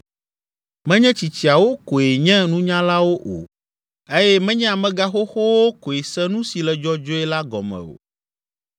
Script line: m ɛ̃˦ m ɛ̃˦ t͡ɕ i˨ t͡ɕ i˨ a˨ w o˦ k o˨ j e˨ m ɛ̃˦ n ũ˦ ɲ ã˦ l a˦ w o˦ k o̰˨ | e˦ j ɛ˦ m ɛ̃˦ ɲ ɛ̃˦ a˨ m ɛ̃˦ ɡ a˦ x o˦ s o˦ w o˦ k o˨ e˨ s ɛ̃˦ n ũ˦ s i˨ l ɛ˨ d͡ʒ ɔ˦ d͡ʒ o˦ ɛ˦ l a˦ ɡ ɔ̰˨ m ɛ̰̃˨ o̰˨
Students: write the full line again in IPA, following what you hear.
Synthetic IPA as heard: m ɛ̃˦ ɲ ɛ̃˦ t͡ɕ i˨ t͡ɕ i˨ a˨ w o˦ k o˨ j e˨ ɲ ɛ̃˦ n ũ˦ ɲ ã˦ l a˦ w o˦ ʔ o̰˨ | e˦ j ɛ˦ m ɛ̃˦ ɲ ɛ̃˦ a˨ m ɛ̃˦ ɡ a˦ x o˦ x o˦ w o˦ k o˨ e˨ s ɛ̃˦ n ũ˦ s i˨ l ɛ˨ d͡ʒ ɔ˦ d͡ʒ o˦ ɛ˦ l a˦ ɡ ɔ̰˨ m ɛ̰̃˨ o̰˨